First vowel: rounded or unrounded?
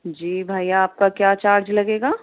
unrounded